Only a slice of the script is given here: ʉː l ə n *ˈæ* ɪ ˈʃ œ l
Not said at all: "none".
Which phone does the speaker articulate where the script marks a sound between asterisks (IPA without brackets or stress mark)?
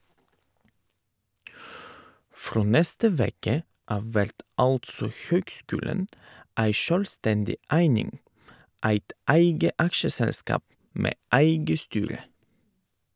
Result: æ